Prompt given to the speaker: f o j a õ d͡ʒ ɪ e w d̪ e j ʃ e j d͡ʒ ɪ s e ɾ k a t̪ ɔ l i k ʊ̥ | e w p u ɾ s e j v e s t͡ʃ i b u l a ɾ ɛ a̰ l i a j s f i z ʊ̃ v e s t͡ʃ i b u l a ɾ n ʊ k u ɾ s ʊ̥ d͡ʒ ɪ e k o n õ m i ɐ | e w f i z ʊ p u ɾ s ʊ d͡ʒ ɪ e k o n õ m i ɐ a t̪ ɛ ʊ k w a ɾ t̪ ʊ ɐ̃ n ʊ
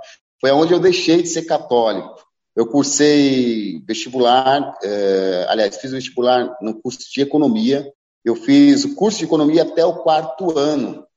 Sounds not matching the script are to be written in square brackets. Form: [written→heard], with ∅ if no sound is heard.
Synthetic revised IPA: f o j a õ d͡ʒ ɪ e w d̪ e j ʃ e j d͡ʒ ɪ s e ɾ k a t̪ ɔ l i k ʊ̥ | e w [p→k] u ɾ s e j v e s t͡ʃ i b u l a ɾ ɛ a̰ l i a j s f i z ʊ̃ v e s t͡ʃ i b u l a ɾ n ʊ k u ɾ s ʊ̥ d͡ʒ ɪ e k o n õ m i ɐ | e w f i z ʊ [p→k] u ɾ s ʊ d͡ʒ ɪ e k o n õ m i ɐ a t̪ ɛ ʊ k w a ɾ t̪ ʊ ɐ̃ n ʊ